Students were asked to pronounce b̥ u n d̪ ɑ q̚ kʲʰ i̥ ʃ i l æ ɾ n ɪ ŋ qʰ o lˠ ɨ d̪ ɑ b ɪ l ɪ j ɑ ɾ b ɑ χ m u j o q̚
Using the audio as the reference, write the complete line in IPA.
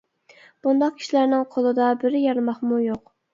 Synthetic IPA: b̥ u n d̪ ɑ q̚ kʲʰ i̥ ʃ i l æ ɾ n ɪ ŋ qʰ o lˠ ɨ d̪ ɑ b ɪ ɾ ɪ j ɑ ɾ m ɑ χ m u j o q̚

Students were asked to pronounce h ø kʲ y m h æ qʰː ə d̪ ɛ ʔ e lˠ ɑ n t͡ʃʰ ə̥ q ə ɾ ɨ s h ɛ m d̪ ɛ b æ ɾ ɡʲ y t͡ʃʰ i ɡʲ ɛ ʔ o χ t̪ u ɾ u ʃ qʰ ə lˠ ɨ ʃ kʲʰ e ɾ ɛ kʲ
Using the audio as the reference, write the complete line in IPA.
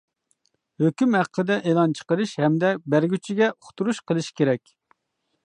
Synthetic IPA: h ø kʲ y m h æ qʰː ə d̪ ɛ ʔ e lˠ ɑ n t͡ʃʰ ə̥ q ə ɾ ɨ ʃ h ɛ m d̪ ɛ b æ ɾ ɡʲ y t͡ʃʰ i ɡʲ ɛ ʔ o χ t̪ u ɾ u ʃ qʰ ə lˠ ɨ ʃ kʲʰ e ɾ ɛ kʲ

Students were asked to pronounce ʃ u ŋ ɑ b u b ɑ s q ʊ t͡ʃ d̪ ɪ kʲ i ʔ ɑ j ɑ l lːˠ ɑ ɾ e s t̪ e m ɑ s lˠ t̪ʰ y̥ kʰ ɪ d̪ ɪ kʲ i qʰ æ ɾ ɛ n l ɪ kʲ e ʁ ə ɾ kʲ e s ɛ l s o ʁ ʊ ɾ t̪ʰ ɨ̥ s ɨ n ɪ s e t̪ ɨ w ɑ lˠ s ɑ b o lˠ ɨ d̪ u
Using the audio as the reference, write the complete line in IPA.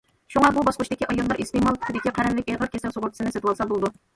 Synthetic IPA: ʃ u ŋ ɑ b u b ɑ s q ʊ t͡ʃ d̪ ɪ kʲ i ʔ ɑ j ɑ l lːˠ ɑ ɾ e s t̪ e m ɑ lˠ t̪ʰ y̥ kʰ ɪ d̪ ɪ kʲ i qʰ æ ɾ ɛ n l ɪ kʲ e ʁ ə ɾ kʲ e s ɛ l s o ʁ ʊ ɾ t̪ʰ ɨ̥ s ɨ n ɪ s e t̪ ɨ w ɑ lˠ s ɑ b o lˠ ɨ d̪ u

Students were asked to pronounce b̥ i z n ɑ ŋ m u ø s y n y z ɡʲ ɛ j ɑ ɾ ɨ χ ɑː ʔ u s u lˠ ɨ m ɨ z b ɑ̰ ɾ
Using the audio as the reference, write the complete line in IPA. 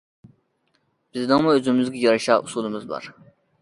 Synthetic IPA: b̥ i z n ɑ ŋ m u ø z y m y z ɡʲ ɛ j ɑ ɾ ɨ ʃ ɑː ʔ u s u lˠ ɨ m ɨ z b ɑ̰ ɾ

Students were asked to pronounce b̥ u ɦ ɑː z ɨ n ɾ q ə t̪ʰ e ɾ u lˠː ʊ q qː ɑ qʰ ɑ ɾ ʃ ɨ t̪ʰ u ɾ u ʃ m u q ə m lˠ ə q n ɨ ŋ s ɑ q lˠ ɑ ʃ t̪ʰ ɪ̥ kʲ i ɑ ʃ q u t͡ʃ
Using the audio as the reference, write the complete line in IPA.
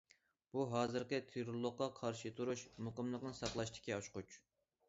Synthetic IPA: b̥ u ɦ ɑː z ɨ ɾ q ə t̪ʰ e ɾ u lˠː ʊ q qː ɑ qʰ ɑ ɾ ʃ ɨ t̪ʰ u ɾ u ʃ m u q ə m lˠ ə q n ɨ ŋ s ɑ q lˠ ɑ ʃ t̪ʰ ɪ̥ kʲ i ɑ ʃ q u t͡ʃ

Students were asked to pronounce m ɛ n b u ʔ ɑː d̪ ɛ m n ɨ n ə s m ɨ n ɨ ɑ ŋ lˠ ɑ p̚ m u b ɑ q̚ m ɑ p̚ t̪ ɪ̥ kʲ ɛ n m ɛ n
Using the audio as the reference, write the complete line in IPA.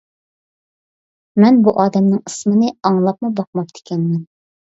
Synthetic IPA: m ɛ n b u ʔ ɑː d̪ ɛ m n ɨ ŋ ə s m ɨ n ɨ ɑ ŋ lˠ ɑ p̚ m u b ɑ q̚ m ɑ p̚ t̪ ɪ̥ kʲ ɛ n m ɛ n

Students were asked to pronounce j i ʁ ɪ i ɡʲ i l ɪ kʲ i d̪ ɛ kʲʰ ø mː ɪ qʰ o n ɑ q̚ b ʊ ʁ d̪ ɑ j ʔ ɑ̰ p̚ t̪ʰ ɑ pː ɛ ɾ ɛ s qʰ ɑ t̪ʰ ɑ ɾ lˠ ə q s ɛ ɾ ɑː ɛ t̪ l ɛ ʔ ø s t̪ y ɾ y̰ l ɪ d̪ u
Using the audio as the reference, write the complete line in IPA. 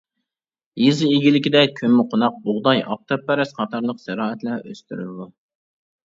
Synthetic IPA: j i z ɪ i ɡʲ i l ɪ kʲ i d̪ ɛ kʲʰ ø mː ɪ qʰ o n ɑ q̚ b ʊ ʁ d̪ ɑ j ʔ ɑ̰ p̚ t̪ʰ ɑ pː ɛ ɾ ɛ s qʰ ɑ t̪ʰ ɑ ɾ lˠ ə q s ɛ ɾ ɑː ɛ t̪ l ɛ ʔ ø s t̪ y ɾ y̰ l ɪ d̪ u

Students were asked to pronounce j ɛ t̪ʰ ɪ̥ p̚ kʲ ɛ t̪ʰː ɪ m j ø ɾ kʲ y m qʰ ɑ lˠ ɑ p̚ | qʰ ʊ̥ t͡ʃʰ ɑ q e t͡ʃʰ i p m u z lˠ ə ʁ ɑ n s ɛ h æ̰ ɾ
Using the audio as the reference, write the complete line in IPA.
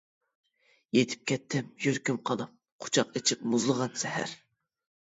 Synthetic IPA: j e t̪ʰ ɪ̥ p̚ kʲ ɛ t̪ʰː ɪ m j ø ɾ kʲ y m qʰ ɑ lˠ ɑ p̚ | qʰ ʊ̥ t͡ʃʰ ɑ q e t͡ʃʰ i p m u z lˠ ə ʁ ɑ n s ɛ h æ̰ ɾ

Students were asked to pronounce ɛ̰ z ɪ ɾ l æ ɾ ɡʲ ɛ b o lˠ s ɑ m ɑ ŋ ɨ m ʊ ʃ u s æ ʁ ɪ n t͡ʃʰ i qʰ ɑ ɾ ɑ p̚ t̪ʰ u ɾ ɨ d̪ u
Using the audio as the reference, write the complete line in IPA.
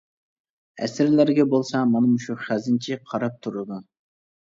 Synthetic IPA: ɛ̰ s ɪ ɾ l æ ɾ ɡʲ ɛ b o lˠ s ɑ m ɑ n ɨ m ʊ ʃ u χ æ z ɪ n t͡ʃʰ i qʰ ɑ ɾ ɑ p̚ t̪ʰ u ɾ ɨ d̪ u

